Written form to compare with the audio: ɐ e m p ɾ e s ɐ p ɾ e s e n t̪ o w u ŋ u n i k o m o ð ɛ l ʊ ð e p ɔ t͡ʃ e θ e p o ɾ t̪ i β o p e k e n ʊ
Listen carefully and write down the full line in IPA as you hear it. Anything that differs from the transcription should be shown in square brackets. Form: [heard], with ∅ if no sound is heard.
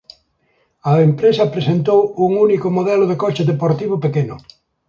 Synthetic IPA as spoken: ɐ e m p ɾ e s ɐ p ɾ e s e n t̪ o w u ŋ u n i k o m o ð ɛ l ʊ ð e [k] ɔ t͡ʃ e [ð] e p o ɾ t̪ i β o p e k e n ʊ